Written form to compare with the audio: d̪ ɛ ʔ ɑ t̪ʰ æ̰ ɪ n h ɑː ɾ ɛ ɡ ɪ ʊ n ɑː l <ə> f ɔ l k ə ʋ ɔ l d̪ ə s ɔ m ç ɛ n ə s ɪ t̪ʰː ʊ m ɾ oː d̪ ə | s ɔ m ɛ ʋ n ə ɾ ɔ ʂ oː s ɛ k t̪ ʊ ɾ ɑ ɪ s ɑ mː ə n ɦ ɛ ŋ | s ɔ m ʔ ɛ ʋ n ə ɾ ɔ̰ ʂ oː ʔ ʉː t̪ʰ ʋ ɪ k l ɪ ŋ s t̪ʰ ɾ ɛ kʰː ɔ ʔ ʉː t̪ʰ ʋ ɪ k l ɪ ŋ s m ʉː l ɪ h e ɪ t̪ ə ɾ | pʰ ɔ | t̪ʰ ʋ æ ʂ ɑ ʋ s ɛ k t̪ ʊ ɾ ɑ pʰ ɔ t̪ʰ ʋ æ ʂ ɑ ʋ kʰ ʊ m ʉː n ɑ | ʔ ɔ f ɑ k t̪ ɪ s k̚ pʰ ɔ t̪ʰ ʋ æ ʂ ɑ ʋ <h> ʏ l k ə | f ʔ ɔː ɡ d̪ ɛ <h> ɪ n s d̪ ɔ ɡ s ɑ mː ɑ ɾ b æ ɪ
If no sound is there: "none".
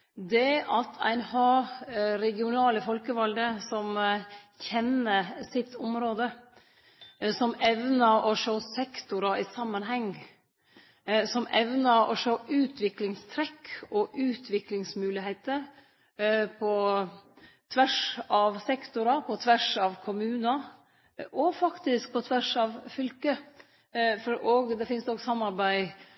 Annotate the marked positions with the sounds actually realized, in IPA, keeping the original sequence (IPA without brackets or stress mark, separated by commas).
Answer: ə, f, f